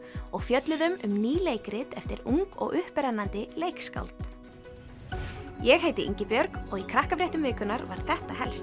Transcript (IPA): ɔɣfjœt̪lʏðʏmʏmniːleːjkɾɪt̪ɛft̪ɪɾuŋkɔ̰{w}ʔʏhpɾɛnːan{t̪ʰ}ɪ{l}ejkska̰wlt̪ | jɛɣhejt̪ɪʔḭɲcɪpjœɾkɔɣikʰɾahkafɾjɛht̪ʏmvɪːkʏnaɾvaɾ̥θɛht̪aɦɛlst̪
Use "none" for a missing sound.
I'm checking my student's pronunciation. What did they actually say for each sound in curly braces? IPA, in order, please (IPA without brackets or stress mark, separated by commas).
ɣ, t̪, l